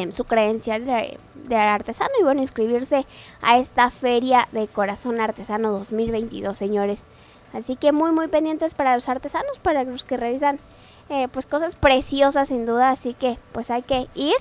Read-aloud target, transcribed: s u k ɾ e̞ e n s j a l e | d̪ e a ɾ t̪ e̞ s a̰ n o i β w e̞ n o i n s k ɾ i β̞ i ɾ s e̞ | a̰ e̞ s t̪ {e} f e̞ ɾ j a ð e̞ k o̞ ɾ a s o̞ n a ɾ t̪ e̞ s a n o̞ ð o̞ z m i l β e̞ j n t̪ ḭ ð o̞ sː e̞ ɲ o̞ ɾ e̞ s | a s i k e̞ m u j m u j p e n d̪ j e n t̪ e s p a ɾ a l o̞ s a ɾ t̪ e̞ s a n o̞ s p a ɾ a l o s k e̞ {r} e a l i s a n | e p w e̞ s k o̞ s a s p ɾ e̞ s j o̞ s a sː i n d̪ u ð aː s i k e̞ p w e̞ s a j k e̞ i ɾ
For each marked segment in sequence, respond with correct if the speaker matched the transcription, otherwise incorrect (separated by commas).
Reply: incorrect, correct